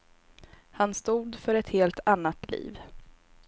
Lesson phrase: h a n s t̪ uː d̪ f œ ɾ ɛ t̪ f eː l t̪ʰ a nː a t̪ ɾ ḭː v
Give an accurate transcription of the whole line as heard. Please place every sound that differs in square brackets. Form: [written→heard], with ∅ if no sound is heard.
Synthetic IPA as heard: h a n s t̪ uː d̪ f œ ɾ ɛ t̪ [f→h] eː l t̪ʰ a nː a t̪ [ɾ→l] ḭː v